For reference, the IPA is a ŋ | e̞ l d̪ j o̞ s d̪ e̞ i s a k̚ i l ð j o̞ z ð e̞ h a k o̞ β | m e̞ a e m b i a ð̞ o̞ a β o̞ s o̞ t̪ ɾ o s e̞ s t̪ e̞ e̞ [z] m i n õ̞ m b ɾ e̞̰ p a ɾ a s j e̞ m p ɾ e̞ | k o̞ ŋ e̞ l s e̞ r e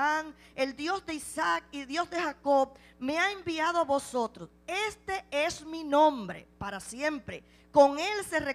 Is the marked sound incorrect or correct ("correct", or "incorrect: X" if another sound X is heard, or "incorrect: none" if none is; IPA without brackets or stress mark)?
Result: incorrect: s